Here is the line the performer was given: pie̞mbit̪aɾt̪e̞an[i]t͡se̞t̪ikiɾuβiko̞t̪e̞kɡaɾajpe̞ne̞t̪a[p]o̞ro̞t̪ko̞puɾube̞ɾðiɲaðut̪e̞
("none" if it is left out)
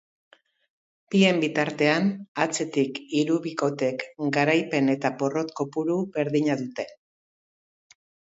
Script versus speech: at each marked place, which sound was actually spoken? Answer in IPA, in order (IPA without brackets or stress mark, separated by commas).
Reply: a, p